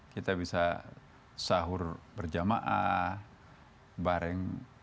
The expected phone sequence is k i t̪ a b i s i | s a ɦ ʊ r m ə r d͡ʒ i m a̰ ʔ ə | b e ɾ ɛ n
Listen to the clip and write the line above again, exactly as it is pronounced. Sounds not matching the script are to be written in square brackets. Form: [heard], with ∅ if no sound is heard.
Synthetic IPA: k i t̪ a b i s [a] | s a ɦ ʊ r [b] ə r d͡ʒ [a] m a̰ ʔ [a] | b [a] ɾ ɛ [ŋ]